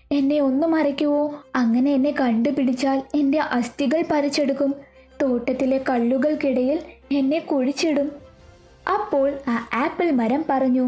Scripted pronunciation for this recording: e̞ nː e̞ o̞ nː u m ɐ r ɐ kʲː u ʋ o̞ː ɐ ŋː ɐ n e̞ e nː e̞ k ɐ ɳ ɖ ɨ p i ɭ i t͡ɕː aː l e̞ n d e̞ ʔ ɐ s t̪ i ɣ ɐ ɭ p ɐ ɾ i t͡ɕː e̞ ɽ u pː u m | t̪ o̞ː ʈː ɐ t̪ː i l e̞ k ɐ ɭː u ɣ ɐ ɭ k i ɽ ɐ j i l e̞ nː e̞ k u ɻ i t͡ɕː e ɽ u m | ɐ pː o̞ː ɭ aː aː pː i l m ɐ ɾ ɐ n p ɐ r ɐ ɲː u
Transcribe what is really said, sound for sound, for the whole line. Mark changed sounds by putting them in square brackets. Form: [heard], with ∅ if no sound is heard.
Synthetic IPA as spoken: e̞ nː e̞ o̞ nː u m ɐ r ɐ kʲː u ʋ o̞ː ɐ ŋː ɐ n e̞ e nː e̞ k ɐ ɳ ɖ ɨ p i [ɽ] i t͡ɕː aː l e̞ n d e̞ ʔ ɐ s t̪ i ɣ ɐ ɭ p ɐ ɾ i t͡ɕː e̞ ɽ u [kː] u m | t̪ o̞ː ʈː ɐ t̪ː i l e̞ k ɐ ɭː u ɣ ɐ ɭ k i ɽ ɐ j i l e̞ nː e̞ k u ɻ i t͡ɕː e ɽ u m | ɐ pː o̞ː ɭ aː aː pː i l m ɐ ɾ ɐ [m] p ɐ r ɐ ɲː u